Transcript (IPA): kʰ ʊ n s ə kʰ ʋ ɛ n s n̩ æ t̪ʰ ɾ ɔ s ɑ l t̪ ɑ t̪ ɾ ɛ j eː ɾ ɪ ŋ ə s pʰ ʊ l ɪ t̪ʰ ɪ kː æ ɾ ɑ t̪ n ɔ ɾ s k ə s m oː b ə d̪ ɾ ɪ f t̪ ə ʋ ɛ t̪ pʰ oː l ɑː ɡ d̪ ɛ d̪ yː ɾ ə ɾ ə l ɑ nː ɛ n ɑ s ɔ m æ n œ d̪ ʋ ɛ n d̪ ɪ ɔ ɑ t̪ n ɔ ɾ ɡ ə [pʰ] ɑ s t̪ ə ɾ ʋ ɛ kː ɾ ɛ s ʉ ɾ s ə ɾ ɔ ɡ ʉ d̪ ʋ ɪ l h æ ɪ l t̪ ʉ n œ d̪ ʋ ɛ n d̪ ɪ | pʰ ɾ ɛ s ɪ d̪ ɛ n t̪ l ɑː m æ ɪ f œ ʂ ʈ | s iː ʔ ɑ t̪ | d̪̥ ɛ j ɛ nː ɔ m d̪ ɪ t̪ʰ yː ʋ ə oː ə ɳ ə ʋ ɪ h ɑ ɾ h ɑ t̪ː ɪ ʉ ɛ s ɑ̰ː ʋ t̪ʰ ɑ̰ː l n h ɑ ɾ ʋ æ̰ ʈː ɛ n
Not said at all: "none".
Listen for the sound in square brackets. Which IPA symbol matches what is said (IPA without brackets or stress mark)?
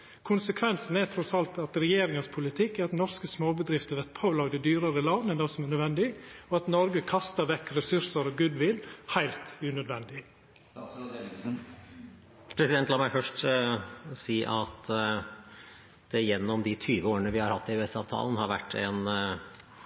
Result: kʰ